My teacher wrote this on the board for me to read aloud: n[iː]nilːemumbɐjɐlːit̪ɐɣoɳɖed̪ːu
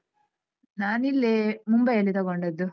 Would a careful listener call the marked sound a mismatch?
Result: yes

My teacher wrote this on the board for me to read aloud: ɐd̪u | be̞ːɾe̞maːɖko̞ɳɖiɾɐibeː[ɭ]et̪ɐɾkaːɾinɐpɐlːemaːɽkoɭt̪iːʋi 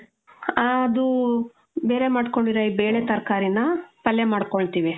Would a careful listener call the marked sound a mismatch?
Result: no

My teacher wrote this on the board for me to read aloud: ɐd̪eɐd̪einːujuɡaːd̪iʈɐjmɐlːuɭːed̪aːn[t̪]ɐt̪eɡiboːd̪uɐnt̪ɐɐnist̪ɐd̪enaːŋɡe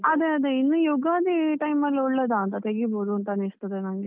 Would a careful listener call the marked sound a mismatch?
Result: no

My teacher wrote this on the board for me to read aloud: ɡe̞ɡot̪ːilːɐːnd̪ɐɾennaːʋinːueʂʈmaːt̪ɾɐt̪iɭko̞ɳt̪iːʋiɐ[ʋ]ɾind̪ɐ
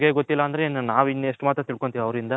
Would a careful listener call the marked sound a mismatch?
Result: no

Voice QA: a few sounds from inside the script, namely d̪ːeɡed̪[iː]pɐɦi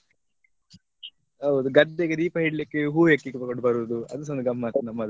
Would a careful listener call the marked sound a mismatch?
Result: no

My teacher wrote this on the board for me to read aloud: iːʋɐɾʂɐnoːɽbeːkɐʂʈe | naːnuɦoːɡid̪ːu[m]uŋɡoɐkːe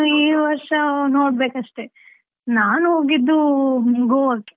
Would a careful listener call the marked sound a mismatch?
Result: no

